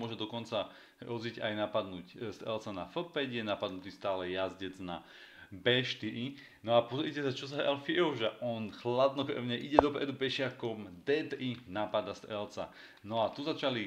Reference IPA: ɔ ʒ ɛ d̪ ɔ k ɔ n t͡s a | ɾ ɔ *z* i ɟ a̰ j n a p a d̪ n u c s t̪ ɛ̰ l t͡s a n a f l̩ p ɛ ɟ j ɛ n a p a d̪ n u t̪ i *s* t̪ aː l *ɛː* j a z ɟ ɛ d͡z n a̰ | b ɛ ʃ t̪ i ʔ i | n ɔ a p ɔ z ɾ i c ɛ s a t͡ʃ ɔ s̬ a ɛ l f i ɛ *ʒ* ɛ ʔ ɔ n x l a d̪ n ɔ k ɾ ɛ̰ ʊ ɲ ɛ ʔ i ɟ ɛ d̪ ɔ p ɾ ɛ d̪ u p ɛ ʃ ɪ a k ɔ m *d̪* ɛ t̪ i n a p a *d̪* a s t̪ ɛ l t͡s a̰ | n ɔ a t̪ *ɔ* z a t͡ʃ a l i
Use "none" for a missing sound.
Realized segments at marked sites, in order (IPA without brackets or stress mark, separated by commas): z, s, ɛ, ʒ, d̪, d̪, u